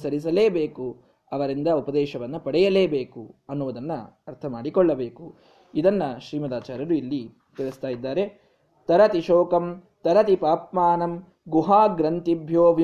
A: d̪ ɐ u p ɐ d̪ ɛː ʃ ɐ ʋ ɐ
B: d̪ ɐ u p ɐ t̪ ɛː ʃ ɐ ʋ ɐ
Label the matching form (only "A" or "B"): A